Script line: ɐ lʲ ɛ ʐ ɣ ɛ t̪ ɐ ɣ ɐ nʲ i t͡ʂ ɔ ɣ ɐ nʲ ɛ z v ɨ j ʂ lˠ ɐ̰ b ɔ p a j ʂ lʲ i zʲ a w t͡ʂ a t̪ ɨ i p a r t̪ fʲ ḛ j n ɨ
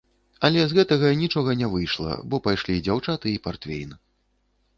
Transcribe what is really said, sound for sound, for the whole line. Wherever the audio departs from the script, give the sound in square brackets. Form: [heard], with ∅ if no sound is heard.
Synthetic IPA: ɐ lʲ ɛ [z] ɣ ɛ t̪ ɐ ɣ ɐ nʲ i t͡ʂ ɔ ɣ ɐ nʲ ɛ [∅] v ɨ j ʂ lˠ ɐ̰ b ɔ p a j ʂ lʲ i [d͡zʲ] a w t͡ʂ a t̪ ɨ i p a r t̪ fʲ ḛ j n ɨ